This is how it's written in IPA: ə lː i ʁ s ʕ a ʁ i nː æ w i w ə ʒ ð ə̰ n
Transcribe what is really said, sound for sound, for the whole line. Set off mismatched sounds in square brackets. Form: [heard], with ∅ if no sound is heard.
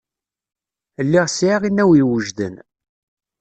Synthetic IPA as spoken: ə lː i ʁ s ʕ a ʁ i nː æ w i w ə ʒ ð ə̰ n